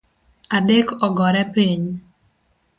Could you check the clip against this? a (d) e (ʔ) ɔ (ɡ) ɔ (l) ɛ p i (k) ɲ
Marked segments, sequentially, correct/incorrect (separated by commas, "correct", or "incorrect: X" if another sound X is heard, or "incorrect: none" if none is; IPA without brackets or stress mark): correct, incorrect: k, correct, incorrect: ɾ, incorrect: none